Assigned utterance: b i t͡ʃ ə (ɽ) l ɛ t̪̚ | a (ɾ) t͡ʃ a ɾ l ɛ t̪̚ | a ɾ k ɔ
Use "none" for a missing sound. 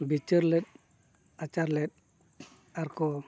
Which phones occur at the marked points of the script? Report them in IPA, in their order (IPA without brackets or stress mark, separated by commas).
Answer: ɾ, none